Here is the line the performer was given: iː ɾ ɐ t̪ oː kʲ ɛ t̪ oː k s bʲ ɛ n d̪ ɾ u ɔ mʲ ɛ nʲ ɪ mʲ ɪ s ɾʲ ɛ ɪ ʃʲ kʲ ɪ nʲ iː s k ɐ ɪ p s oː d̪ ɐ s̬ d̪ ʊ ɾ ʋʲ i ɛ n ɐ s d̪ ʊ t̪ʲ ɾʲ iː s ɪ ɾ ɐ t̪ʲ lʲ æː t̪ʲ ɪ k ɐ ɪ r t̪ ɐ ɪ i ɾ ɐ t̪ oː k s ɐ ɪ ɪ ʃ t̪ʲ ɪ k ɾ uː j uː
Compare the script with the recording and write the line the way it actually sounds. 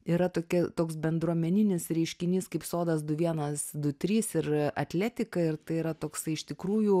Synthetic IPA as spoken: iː ɾ ɐ t̪ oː kʲ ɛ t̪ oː k s bʲ ɛ n d̪ ɾ u ɔ mʲ ɛ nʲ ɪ nʲ ɪ s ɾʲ ɛ ɪ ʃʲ kʲ ɪ nʲ iː s k ɐ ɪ p s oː d̪ ɐ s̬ d̪ ʊ ʋʲ i ɛ n ɐ s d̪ ʊ t̪ʲ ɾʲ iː s ɪ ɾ ɐ t̪ʲ lʲ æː t̪ʲ ɪ k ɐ ɪ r t̪ ɐ ɪ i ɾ ɐ t̪ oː k s ɐ ɪ ɪ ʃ t̪ʲ ɪ k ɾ uː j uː